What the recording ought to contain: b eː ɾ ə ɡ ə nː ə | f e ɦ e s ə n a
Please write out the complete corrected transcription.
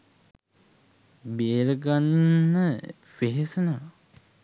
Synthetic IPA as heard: b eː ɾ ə ɡ a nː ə | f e ɦ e s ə n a